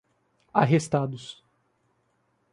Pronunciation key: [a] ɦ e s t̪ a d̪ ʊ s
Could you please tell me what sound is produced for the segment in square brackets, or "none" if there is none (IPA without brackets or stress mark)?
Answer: a